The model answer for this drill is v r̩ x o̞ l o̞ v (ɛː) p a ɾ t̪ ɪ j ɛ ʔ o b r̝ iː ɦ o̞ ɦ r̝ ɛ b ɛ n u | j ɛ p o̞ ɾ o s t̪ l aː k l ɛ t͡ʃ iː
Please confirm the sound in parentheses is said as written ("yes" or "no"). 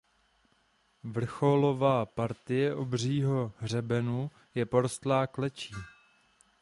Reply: no